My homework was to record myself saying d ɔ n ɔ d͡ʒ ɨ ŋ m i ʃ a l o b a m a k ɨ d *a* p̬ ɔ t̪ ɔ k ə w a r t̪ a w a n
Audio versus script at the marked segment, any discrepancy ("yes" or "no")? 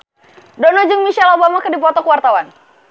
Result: yes